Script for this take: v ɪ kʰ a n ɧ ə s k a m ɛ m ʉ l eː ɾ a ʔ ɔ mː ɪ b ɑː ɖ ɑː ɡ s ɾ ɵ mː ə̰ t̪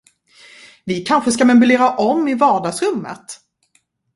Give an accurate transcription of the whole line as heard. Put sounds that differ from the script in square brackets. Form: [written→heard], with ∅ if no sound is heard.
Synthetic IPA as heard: v ɪ kʰ a n ɧ ə s k a m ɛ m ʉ l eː ɾ a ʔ ɔ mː ɪ [b→v] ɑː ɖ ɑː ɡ s ɾ ɵ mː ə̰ t̪

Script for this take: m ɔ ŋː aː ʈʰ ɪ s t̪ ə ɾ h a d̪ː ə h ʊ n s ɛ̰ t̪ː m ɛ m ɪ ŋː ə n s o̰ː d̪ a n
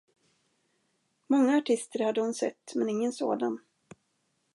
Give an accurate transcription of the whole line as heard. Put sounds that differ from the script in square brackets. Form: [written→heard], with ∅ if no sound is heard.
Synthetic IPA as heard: m ɔ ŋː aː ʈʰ ɪ s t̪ ə ɾ h a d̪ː ə h ʊ n s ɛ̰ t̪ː m ɛ [m→n] ɪ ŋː ə n s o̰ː d̪ a n

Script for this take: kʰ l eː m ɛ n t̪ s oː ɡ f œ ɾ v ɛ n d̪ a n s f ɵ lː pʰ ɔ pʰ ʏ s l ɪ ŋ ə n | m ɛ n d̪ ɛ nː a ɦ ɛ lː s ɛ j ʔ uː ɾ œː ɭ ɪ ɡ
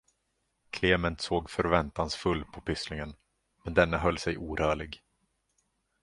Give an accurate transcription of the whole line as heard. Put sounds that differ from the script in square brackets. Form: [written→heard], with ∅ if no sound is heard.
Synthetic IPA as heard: kʰ l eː m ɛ n t̪ s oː ɡ f œ ɾ v ɛ n [d̪→t̪] a n s f ɵ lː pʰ ɔ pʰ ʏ s l ɪ ŋ ə n | m ɛ n d̪ ɛ nː a ɦ [ɛ→œ] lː s ɛ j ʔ uː ɾ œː ɭ ɪ ɡ

